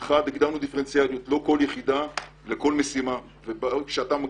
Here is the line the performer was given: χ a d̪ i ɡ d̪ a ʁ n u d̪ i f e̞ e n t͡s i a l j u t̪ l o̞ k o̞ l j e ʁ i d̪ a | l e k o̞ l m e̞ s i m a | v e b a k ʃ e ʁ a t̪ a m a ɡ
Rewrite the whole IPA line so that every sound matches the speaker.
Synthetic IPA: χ a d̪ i ɡ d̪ a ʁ n u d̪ i f e̞ e n t͡s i a l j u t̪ l o̞ k o̞ l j e χ i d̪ a | l e k o̞ l m e̞ s i m a | v e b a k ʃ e a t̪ a m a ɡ